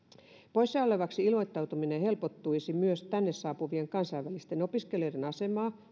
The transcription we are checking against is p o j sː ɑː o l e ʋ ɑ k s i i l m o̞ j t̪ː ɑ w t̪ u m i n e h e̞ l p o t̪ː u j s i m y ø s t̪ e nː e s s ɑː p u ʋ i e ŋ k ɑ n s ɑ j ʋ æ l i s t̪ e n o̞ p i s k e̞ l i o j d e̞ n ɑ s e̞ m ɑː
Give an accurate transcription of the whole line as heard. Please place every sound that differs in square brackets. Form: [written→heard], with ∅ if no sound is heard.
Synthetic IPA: p o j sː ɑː o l e ʋ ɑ k s i i l m o̞ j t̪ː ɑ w t̪ u m i n e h e̞ l p o t̪ː u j s i m y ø s t̪ [e→æ] nː e s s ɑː p u ʋ i e ŋ k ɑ n s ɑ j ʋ æ l i s t̪ e n o̞ p i s k e̞ l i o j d e̞ n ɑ s e̞ m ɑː